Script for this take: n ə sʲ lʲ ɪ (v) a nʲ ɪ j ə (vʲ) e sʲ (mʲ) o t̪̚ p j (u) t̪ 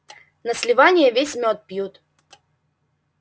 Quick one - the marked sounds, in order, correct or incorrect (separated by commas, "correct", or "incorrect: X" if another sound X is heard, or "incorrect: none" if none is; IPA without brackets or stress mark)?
correct, correct, correct, correct